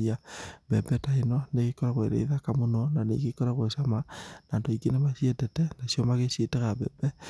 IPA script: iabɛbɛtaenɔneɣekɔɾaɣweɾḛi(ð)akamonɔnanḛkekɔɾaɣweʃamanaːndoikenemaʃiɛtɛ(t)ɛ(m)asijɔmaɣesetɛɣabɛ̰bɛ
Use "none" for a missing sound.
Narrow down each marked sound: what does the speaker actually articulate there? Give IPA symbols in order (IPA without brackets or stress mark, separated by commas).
ð, t, n